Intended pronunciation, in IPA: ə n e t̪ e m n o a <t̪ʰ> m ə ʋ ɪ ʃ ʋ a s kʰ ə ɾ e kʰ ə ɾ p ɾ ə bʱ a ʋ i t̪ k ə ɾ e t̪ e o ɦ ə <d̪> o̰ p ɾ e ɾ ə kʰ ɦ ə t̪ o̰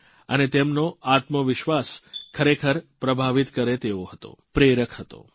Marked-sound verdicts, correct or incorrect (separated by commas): incorrect, incorrect